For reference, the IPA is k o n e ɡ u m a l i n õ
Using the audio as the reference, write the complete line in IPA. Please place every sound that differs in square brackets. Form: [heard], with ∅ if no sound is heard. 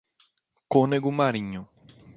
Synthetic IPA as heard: k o n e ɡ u m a [ɾ] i [ɲ] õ